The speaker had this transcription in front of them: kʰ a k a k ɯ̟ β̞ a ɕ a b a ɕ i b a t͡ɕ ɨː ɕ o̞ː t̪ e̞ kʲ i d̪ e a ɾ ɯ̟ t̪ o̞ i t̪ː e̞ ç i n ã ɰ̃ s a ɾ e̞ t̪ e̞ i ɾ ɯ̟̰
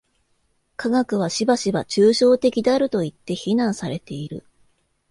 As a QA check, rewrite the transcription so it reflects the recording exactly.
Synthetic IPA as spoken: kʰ a ɡ a k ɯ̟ β̞ a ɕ i b a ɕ i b a t͡ɕ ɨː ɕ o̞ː t̪ e̞ kʲ i d̪ e a ɾ ɯ̟ t̪ o̞ i t̪ː e̞ ç i n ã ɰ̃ s a ɾ e̞ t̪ e̞ i ɾ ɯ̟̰